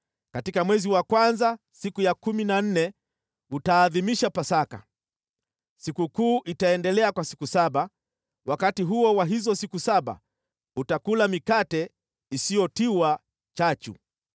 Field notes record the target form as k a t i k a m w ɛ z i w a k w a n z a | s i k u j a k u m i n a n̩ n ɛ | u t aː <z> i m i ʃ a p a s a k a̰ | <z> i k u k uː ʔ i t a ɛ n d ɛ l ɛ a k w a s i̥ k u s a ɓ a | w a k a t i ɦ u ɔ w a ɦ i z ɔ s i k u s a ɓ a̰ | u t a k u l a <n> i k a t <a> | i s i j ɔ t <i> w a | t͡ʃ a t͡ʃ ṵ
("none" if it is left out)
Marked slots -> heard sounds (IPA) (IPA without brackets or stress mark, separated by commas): ð, s, m, ɛ, i